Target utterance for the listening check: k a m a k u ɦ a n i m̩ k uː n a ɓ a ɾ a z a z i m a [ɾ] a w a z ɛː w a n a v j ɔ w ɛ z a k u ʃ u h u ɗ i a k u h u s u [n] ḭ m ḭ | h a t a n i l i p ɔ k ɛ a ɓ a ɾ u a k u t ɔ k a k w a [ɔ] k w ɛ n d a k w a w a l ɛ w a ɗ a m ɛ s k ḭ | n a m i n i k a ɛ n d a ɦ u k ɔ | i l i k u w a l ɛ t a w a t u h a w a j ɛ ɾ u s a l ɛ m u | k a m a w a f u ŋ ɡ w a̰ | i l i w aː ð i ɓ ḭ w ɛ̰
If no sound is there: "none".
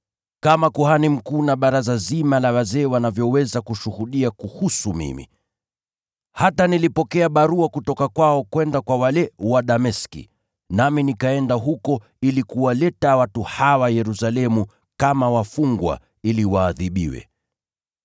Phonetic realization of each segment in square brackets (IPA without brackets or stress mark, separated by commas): l, m, ɔ